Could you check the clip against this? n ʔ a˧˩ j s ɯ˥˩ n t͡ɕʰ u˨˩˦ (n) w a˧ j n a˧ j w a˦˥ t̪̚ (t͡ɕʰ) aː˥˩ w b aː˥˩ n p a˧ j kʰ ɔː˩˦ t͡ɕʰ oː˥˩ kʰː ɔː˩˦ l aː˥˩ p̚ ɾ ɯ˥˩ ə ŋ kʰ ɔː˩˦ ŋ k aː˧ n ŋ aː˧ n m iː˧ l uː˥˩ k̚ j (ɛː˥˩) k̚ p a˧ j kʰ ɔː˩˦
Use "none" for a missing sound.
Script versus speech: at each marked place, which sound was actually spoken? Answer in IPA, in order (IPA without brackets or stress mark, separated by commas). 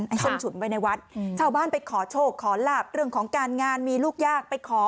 n, t͡ɕʰ, aː˥˩